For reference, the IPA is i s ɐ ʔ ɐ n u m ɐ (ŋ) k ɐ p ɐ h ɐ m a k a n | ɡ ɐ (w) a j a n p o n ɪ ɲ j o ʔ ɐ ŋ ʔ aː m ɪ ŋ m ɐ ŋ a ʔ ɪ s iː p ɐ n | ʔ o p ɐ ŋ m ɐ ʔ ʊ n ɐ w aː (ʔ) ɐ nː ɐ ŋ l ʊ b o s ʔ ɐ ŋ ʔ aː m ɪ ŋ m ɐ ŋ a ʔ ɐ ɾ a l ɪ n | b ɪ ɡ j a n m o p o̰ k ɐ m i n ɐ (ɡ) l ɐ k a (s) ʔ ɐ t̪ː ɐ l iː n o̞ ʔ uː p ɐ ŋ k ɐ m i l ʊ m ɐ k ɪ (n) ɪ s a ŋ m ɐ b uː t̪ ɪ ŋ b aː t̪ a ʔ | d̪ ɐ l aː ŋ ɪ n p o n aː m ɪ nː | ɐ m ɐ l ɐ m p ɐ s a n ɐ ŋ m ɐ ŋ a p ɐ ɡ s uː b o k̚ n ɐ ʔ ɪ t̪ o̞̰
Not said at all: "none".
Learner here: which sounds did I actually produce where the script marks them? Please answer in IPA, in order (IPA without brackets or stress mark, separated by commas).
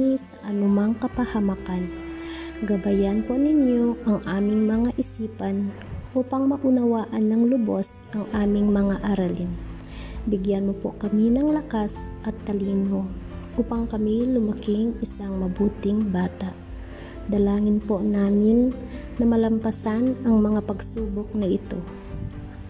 ŋ, b, ʔ, ŋ, s, ŋ